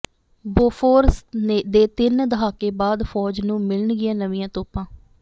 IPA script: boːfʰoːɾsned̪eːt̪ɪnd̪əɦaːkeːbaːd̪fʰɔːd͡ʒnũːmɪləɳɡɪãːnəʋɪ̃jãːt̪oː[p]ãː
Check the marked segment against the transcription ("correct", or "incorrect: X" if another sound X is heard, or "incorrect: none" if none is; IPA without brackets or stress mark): correct